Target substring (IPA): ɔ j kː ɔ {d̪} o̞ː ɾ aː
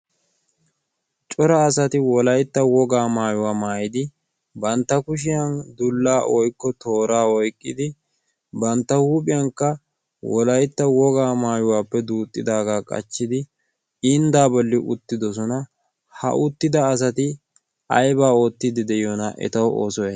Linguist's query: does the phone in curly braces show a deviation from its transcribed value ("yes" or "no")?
yes